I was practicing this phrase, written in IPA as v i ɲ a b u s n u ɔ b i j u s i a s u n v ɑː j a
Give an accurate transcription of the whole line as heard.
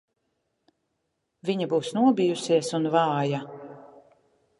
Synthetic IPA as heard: v i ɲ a b uː s n u ɔ b i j u s i ɛ s u n v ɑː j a